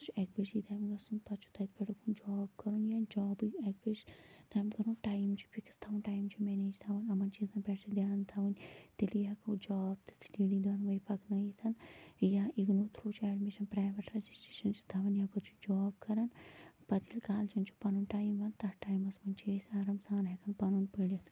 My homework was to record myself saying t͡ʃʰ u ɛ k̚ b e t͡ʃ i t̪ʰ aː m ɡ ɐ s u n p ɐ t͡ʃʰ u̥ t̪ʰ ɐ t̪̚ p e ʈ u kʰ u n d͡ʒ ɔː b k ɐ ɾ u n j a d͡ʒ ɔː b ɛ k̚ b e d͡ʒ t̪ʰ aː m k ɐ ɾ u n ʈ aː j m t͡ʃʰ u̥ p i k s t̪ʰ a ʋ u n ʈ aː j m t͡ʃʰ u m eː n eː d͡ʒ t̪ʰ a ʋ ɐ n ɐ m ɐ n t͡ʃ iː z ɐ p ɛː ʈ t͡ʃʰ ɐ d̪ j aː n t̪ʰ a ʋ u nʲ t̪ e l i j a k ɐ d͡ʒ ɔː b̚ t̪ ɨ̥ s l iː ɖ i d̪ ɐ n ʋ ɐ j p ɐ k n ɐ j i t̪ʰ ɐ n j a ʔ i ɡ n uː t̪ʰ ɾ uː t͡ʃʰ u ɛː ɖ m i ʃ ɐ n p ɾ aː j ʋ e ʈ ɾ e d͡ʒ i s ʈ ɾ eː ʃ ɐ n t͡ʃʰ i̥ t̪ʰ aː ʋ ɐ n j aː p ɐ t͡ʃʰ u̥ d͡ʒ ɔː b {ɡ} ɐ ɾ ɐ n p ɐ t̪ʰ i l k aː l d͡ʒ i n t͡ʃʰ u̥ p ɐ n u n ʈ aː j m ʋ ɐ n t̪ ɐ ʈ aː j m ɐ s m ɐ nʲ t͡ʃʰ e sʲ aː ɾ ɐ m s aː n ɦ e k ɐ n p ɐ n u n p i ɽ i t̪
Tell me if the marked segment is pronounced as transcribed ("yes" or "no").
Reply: no